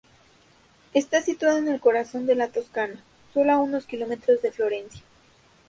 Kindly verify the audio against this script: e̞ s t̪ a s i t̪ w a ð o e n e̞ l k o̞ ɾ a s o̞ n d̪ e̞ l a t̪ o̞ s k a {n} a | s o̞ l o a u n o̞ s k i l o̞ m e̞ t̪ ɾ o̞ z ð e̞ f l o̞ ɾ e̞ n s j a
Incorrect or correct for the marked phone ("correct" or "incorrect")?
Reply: correct